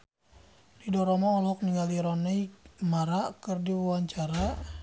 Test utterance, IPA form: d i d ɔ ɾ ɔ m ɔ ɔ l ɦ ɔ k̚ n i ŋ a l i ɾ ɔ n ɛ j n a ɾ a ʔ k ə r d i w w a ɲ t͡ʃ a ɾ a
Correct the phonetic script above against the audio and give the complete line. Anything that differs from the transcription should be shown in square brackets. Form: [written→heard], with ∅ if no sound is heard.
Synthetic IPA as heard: d i d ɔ ɾ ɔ m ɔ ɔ l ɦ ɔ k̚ n i ŋ a l i ɾ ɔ n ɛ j [n→m] a ɾ a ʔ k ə r d i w w a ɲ t͡ʃ a ɾ a